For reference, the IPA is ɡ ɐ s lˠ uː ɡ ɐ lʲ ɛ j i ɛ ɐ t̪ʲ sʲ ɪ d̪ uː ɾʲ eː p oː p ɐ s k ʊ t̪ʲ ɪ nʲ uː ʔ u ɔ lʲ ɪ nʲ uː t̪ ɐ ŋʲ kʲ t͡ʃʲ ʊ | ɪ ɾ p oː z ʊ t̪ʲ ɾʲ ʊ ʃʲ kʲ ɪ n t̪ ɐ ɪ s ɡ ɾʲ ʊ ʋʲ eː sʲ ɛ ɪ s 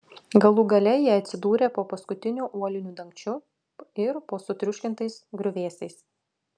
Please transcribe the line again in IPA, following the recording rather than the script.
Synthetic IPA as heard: ɡ ɐ lˠ uː ɡ ɐ lʲ ɛ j i ɛ ɐ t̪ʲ sʲ ɪ d̪ uː ɾʲ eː p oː p ɐ s k ʊ t̪ʲ ɪ nʲ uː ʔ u ɔ lʲ ɪ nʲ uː d̪ ɐ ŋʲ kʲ t͡ʃʲ ʊ | ɪ ɾ p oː s ʊ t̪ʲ ɾʲ ʊ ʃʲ kʲ ɪ n t̪ ɐ ɪ s ɡ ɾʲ ʊ ʋʲ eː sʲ ɛ ɪ s

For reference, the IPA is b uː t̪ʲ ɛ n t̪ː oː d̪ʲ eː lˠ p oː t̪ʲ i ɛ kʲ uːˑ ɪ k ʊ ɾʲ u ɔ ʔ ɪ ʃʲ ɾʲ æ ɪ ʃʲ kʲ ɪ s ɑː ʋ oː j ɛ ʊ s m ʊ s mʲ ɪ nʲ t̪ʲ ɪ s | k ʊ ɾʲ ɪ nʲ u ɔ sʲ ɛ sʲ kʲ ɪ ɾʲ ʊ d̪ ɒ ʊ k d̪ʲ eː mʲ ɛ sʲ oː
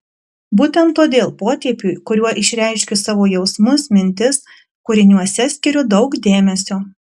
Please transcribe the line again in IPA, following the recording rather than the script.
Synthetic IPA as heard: b uː t̪ʲ ɛ n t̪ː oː d̪ʲ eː lˠ p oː t̪ʲ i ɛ pʲ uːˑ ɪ k ʊ ɾʲ u ɔ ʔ ɪ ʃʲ ɾʲ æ ɪ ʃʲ kʲ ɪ s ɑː ʋ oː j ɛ ʊ s m ʊ s mʲ ɪ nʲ t̪ʲ ɪ s | k ʊ ɾʲ ɪ nʲ u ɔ sʲ ɛ sʲ kʲ ɪ ɾʲ ʊ d̪ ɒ ʊ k d̪ʲ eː mʲ ɛ sʲ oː

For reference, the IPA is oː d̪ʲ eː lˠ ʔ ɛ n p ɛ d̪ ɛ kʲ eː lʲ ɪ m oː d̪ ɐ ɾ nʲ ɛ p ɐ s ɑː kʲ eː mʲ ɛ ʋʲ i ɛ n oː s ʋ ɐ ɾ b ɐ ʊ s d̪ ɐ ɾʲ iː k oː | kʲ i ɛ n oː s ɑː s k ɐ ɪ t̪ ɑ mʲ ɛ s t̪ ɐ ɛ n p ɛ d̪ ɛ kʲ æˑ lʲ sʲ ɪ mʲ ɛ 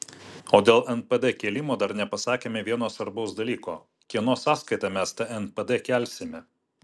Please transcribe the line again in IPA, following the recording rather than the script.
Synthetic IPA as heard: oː d̪ʲ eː lˠ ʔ ɛ n p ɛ d̪ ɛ kʲ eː lʲ ɪ m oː d̪ ɐ ɾ nʲ ɛ p ɐ s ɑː kʲ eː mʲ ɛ ʋʲ i ɛ n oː s ʋ ɐ ɾ b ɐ ʊ s d̪ ɐ lʲ iː k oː | kʲ i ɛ n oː s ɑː s k ɐ ɪ t̪ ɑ mʲ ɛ s t̪ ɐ ɛ n p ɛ d̪ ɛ kʲ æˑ lʲ sʲ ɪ mʲ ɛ

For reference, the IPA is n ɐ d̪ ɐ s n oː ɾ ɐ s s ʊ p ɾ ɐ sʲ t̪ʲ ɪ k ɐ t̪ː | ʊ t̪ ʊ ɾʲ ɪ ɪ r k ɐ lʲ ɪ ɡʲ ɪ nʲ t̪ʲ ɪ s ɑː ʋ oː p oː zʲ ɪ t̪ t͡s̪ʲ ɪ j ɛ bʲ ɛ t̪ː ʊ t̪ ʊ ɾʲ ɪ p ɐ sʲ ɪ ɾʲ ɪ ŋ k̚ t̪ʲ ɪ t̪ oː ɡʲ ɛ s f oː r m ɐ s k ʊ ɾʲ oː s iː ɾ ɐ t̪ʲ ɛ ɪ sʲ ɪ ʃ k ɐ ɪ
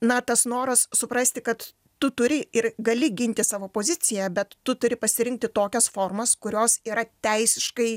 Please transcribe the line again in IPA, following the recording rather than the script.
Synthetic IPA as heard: n ɐ t̪ ɐ s n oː ɾ ɐ s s ʊ p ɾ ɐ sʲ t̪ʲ ɪ k ɐ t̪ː | ʊ t̪ ʊ ɾʲ ɪ ɪ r ɡ ɐ lʲ ɪ ɡʲ ɪ nʲ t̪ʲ ɪ s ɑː ʋ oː p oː zʲ ɪ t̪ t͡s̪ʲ ɪ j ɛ bʲ ɛ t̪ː ʊ t̪ ʊ ɾʲ ɪ p ɐ sʲ ɪ ɾʲ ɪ ŋ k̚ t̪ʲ ɪ t̪ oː kʲ ɛ s f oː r m ɐ s k ʊ ɾʲ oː s iː ɾ ɐ t̪ʲ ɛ ɪ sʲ ɪ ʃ k ɐ ɪ

